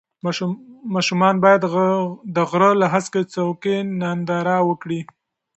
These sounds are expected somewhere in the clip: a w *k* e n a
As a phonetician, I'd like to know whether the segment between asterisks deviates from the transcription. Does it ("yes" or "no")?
no